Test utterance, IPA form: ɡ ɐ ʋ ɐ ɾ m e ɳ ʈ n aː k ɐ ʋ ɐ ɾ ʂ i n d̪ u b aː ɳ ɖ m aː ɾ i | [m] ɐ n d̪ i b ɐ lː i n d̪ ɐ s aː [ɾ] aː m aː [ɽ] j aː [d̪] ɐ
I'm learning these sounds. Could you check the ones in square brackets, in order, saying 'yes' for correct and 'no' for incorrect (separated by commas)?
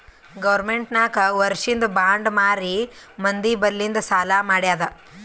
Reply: yes, no, yes, yes